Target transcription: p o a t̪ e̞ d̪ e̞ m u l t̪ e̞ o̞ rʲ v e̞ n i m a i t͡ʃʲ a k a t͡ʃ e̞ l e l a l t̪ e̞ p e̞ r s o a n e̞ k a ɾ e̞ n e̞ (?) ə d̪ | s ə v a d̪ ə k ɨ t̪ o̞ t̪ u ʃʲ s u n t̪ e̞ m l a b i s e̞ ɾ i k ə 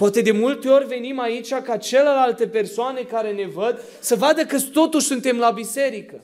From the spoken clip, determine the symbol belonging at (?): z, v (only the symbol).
v